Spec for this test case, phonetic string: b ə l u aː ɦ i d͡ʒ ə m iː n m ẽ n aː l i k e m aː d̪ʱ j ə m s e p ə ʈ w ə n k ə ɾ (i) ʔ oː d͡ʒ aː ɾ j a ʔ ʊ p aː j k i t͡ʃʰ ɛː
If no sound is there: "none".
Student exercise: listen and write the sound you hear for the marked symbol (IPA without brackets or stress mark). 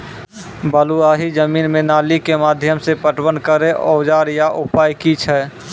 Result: e